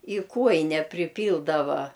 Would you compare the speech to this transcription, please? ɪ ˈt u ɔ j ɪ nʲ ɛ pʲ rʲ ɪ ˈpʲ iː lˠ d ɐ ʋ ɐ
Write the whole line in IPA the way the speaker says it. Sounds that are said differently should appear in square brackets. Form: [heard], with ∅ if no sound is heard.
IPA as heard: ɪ [ˈk] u ɔ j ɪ nʲ ɛ pʲ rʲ ɪ ˈpʲ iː lˠ d ɐ ʋ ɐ